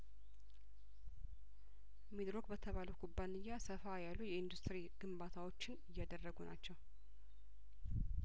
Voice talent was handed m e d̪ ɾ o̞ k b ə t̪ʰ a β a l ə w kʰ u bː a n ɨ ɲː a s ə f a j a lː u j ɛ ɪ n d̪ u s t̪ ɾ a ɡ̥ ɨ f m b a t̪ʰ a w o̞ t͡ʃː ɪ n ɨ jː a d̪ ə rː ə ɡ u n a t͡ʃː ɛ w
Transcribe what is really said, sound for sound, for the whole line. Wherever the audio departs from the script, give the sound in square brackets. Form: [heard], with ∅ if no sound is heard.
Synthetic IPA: m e d̪ ɾ o̞ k b ə t̪ʰ [ə] β a l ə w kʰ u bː a n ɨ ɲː a s ə f a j a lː u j ɛ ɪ n d̪ u s t̪ ɾ [i] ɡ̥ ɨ [∅] m b a t̪ʰ a w o̞ t͡ʃː ɪ n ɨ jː a d̪ ə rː ə ɡ u n a t͡ʃː ɛ w